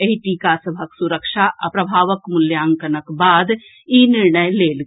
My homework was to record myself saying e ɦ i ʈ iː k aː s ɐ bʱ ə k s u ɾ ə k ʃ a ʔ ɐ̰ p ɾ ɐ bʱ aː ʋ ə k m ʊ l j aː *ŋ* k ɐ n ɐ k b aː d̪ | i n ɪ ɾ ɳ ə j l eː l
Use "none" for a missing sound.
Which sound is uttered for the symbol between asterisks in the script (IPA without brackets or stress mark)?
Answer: ŋ